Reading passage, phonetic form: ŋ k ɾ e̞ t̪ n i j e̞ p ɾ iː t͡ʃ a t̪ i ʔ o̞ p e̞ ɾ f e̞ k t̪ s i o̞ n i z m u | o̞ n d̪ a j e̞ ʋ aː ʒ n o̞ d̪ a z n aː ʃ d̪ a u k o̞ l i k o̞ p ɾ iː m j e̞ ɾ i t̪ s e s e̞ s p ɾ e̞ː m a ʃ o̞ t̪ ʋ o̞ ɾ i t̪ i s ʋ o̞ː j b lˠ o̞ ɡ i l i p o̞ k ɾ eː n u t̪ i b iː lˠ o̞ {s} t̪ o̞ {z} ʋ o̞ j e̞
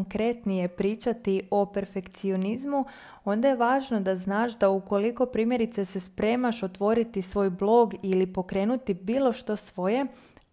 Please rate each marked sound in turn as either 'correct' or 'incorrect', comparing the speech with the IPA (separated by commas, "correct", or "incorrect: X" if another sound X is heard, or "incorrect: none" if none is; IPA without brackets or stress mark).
incorrect: ʃ, incorrect: s